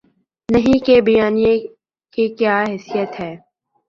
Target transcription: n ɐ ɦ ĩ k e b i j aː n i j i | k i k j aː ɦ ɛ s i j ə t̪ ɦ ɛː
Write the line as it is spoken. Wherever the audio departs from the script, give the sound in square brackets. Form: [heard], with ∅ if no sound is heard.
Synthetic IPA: n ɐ ɦ ĩ k e b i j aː n i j [e] | k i k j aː ɦ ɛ s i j ə t̪ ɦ ɛː